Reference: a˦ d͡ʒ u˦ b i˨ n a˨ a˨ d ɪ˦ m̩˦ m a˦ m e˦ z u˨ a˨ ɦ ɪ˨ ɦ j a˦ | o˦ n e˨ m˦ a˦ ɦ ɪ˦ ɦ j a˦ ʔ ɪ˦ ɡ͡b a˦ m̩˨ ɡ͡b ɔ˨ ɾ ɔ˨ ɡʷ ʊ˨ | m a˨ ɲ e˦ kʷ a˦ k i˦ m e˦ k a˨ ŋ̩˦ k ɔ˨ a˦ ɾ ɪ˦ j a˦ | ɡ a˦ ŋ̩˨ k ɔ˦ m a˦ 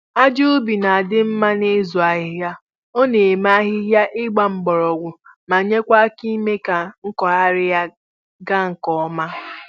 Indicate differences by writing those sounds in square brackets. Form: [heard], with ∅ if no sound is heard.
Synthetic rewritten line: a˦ d͡ʒ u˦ b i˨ n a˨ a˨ d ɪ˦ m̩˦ m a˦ [n] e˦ z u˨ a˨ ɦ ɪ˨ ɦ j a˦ | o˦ n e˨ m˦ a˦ ɦ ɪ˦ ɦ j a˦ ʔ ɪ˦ ɡ͡b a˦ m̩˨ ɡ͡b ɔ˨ ɾ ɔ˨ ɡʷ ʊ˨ | m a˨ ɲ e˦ kʷ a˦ k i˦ m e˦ k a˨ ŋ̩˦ k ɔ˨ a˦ ɾ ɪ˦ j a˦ | ɡ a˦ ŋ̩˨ k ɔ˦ m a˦